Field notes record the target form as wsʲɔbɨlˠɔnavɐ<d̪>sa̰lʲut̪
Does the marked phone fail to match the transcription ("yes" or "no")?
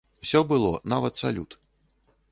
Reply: yes